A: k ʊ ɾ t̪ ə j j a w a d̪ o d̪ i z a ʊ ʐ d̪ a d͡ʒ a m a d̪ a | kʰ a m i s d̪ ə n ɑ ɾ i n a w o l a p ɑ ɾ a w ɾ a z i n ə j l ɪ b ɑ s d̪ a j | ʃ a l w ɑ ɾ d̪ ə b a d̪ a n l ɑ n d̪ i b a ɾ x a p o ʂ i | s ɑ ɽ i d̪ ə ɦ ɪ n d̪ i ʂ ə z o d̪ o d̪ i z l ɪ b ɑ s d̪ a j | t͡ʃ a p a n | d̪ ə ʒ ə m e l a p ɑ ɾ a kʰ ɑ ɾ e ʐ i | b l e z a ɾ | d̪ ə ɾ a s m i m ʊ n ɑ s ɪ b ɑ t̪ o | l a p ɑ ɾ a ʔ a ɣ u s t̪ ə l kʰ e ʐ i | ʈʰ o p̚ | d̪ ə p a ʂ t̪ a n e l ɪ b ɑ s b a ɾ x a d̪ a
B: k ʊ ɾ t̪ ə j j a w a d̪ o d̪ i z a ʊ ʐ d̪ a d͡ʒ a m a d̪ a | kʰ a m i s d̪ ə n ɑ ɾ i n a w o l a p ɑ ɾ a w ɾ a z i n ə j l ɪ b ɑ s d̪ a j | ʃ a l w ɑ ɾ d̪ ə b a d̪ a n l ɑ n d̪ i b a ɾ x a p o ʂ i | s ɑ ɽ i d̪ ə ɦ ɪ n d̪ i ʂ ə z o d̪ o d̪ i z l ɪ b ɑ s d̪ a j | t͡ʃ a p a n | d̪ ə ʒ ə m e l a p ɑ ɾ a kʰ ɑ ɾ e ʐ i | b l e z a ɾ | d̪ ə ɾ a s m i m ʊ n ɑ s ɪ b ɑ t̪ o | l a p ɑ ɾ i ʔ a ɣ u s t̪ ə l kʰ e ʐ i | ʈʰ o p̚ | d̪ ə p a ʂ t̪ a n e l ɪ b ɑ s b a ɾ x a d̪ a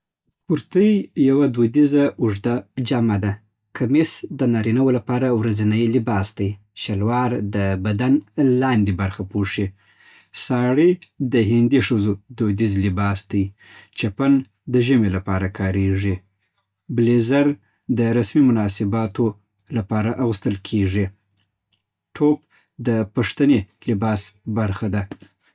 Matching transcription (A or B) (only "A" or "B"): A